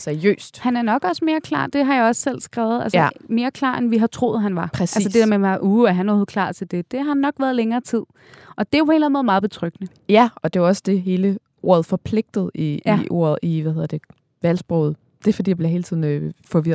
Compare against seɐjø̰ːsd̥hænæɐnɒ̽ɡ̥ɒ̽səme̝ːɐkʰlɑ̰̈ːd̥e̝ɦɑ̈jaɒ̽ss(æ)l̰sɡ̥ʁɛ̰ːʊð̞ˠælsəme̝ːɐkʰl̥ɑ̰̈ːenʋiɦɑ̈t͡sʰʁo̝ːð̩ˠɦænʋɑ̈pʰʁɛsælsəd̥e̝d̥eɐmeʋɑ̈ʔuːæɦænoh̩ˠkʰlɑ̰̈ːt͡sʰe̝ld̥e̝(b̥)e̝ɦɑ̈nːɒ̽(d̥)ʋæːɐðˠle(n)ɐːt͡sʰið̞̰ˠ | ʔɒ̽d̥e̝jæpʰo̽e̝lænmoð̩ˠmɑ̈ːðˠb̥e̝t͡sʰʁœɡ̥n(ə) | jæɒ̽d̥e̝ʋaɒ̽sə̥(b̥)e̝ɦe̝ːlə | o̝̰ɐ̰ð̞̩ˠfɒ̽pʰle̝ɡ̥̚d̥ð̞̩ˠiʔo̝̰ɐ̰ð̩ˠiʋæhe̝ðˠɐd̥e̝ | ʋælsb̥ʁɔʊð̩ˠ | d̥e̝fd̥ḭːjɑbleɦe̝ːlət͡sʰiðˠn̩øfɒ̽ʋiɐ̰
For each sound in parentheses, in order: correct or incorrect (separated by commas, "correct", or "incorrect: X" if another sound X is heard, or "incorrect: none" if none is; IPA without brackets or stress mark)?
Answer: incorrect: e, incorrect: d̥, incorrect: ɡ̥, incorrect: ŋ, correct, incorrect: d̥